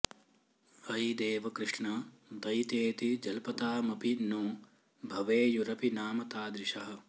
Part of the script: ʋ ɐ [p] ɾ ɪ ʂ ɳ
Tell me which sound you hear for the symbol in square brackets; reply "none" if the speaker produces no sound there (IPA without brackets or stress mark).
k